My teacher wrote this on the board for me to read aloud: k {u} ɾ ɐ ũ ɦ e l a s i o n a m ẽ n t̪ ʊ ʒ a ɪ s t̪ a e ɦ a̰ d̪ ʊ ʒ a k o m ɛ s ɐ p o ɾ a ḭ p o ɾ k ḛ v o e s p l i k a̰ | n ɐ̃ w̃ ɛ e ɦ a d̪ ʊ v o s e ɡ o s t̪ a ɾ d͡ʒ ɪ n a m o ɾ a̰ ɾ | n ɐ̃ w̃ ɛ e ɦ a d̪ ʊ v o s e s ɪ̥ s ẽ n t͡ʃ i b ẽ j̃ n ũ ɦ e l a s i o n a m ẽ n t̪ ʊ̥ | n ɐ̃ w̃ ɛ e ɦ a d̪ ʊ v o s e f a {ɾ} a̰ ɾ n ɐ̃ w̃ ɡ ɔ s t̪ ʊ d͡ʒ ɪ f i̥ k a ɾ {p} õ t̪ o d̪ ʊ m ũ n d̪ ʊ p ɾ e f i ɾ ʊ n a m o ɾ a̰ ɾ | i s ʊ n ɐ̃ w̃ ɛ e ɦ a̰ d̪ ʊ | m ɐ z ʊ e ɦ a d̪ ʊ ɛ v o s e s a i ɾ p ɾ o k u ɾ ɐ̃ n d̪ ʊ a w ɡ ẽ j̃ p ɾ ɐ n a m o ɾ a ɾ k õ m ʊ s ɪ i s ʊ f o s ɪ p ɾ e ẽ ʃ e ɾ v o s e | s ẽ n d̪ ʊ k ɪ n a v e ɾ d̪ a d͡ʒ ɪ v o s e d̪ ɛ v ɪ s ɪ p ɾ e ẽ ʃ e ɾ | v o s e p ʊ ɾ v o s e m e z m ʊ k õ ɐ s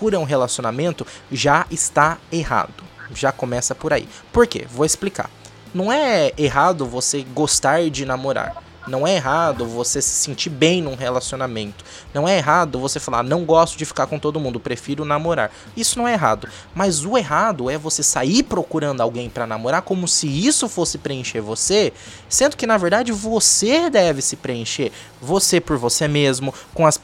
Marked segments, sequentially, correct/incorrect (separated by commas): correct, incorrect, incorrect